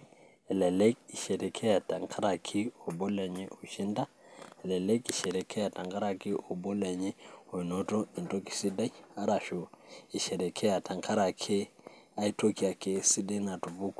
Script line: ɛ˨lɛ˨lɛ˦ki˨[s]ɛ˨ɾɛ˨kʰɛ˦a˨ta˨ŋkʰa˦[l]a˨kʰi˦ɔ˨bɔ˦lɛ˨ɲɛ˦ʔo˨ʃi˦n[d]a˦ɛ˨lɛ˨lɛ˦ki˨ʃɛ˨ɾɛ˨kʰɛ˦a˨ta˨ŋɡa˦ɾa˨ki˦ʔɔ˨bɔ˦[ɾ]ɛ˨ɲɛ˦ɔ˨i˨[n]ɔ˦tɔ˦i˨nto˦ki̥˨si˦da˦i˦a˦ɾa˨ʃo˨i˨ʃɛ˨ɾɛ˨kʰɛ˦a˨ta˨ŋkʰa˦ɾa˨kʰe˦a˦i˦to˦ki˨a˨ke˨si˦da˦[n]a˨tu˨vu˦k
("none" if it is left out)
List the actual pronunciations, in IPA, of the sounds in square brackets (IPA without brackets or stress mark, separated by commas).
ʃ, ɾ, d, l, n, n